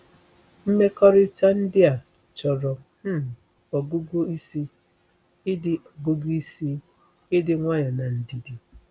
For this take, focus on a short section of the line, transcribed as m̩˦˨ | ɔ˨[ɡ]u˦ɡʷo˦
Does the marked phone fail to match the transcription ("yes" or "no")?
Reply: no